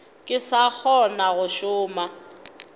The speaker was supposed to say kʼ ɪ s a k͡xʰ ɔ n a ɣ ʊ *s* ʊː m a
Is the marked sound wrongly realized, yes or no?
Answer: yes